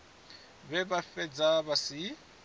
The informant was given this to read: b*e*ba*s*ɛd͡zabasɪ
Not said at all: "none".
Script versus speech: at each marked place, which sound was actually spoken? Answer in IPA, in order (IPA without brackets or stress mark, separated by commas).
ɛ, f